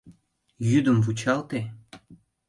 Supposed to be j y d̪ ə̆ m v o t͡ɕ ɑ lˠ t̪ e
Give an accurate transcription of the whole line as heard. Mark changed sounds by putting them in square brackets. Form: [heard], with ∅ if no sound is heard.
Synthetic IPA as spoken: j y d̪ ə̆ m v [u] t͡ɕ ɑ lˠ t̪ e